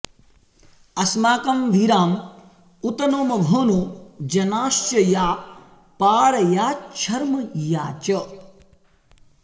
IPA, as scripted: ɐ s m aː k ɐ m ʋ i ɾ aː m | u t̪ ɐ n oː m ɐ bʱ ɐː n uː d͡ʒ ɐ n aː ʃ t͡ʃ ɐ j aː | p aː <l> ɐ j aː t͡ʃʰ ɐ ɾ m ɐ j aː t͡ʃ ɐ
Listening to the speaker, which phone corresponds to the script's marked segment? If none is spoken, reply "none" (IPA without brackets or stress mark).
ɾ